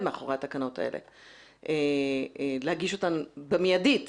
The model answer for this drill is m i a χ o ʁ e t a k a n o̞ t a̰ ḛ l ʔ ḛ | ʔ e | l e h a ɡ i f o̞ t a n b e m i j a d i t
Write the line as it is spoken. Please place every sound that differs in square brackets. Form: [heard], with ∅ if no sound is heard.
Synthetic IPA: m [e] a χ o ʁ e t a k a n o̞ t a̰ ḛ l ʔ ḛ | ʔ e | l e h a ɡ i [ʃ] o̞ t a n b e m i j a d i t